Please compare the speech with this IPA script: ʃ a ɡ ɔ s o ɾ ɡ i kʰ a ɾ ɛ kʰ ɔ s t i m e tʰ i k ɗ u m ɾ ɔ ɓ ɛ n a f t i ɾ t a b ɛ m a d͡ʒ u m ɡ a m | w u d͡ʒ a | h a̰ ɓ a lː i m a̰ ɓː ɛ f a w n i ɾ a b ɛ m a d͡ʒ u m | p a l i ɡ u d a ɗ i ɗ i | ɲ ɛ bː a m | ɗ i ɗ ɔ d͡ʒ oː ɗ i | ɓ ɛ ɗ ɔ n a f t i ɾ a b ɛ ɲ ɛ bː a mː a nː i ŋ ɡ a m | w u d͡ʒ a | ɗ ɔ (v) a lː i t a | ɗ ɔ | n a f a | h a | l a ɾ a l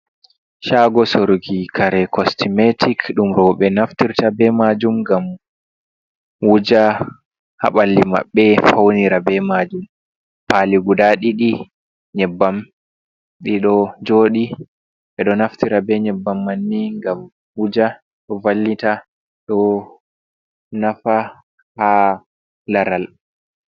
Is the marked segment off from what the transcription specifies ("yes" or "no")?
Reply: no